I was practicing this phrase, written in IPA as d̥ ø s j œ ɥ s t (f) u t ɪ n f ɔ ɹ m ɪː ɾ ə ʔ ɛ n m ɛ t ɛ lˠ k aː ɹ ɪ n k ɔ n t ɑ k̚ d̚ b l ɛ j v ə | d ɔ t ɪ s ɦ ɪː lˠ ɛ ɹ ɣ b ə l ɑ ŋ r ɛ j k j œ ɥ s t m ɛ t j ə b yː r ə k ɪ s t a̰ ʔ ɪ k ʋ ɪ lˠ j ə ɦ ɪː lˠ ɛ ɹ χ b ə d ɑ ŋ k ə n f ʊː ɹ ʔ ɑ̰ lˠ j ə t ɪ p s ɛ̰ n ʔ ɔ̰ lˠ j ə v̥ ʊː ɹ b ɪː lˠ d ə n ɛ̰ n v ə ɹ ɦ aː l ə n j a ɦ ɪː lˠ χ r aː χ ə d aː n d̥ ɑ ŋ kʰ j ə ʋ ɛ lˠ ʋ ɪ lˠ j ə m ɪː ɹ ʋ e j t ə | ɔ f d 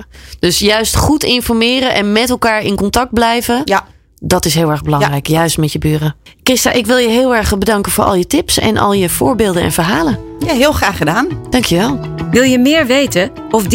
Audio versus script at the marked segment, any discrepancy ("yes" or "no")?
yes